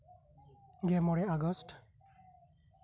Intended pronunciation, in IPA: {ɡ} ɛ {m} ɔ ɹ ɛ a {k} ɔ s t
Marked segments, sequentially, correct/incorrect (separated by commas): correct, correct, incorrect